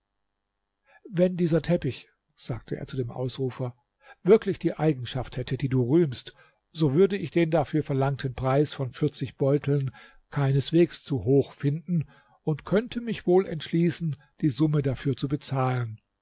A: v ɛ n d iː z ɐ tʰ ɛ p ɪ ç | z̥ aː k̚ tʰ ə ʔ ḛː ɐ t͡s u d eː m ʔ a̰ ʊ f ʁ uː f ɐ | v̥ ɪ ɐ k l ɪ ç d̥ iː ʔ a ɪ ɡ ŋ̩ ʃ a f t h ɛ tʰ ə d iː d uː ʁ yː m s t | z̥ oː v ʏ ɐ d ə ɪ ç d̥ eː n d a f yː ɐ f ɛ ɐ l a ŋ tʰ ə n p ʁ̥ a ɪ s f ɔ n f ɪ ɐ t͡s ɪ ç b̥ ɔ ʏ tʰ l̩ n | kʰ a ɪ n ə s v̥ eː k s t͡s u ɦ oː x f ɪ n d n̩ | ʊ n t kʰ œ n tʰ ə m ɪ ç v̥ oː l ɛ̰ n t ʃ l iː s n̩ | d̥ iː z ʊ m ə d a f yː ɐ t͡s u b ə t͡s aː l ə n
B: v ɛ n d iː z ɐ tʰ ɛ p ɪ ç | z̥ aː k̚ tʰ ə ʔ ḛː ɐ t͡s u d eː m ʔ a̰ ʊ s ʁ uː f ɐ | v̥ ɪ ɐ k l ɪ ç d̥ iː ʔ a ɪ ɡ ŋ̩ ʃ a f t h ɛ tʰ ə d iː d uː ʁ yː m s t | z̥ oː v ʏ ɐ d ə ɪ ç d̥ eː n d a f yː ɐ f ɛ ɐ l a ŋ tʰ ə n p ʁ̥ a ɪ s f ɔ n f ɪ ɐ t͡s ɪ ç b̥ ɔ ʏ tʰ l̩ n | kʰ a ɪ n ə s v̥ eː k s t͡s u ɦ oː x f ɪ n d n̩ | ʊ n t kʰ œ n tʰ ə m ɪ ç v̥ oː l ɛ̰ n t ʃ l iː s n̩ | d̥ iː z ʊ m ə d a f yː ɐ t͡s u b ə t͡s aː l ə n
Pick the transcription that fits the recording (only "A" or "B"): B